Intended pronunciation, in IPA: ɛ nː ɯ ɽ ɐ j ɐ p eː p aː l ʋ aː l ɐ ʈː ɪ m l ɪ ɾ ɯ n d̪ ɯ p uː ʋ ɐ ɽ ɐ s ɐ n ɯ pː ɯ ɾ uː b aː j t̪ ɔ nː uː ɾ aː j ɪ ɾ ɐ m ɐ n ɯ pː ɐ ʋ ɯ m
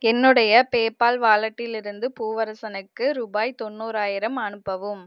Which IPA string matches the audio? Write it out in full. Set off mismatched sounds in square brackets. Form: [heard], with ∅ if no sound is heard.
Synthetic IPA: ɛ nː ɯ ɽ ɐ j ɐ p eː p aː l ʋ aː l ɐ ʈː ɪ [∅] l ɪ ɾ ɯ n d̪ ɯ p uː ʋ ɐ [ɾ] ɐ s ɐ n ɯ [kː] ɯ ɾ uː b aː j t̪ ɔ nː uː ɾ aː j ɪ ɾ ɐ m ɐ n ɯ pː ɐ ʋ ɯ m